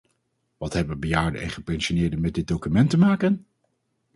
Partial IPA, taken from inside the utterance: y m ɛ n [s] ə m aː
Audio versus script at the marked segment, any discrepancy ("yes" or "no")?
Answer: yes